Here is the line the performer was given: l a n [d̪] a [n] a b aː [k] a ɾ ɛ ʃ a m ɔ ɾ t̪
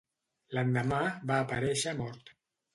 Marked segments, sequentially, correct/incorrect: correct, incorrect: m, incorrect: p

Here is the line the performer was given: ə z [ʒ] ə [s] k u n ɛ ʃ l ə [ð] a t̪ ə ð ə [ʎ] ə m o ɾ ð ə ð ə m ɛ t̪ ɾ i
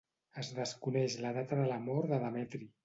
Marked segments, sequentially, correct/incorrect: incorrect: ð, correct, correct, incorrect: l

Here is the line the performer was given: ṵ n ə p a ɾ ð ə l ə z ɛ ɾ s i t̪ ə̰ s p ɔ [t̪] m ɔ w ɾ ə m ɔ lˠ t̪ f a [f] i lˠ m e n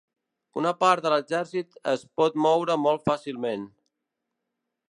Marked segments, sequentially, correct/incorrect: correct, incorrect: s

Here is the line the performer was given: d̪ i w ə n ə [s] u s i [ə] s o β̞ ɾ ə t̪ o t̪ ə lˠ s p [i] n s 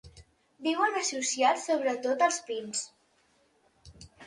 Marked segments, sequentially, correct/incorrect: correct, incorrect: a, correct

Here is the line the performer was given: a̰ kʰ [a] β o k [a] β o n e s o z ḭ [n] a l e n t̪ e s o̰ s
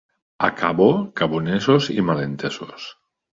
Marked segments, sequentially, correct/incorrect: correct, correct, incorrect: m

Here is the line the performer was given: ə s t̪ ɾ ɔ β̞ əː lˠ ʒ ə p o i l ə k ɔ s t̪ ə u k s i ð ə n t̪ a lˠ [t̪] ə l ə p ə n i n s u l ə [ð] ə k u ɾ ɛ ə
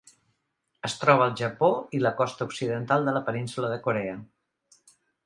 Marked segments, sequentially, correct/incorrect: incorrect: d̪, correct

